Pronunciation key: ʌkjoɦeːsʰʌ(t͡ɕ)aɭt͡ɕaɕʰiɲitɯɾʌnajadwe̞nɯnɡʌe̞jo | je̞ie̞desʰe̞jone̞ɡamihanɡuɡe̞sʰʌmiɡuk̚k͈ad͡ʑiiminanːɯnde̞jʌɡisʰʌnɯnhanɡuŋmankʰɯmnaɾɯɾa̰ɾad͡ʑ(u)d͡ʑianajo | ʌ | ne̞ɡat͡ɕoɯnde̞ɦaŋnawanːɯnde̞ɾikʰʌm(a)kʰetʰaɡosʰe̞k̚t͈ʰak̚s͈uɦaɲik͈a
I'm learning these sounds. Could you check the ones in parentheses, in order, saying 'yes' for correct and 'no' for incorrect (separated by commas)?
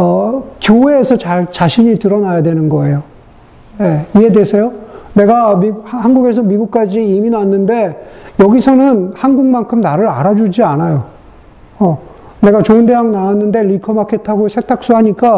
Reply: yes, yes, yes